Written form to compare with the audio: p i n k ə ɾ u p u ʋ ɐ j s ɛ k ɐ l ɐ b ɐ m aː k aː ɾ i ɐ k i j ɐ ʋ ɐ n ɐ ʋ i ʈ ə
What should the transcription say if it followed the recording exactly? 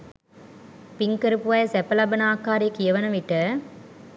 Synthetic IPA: p i ŋ k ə ɾ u p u ʋ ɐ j s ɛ p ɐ l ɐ b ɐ n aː k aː ɾ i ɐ k i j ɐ ʋ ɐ n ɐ ʋ i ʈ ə